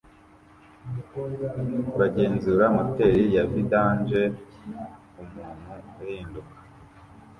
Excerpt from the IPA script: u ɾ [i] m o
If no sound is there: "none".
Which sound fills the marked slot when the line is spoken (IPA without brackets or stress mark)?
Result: a